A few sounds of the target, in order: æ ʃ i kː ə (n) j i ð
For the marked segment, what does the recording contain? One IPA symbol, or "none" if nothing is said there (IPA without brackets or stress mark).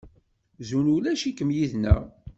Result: m